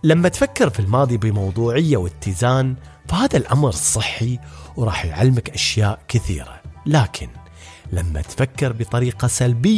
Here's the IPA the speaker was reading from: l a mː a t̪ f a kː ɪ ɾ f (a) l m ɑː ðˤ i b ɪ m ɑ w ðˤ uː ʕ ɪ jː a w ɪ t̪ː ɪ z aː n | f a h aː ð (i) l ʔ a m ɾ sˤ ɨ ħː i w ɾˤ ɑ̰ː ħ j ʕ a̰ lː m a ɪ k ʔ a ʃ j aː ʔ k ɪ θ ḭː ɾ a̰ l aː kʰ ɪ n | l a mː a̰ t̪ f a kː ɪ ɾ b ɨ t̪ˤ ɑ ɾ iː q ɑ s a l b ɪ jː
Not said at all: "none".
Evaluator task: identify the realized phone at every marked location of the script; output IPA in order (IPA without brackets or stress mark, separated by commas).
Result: i, a